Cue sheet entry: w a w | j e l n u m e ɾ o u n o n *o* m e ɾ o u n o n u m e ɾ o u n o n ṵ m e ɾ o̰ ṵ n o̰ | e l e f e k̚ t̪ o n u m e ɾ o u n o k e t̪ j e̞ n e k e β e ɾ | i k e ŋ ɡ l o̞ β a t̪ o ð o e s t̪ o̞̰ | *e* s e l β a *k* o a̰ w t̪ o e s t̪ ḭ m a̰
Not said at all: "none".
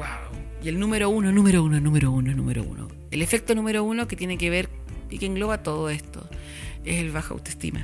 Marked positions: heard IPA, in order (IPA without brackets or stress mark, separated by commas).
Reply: u, e, x